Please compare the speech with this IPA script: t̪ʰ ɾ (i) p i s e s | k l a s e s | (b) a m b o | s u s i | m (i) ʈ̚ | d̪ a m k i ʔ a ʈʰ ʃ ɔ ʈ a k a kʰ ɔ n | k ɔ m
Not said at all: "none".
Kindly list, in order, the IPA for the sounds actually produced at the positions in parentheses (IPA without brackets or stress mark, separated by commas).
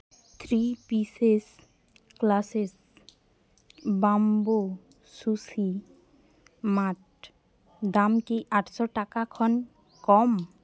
i, b, a